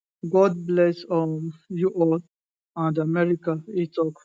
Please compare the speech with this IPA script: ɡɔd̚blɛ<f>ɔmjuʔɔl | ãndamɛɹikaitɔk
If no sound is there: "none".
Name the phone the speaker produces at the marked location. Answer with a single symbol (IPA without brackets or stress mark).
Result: s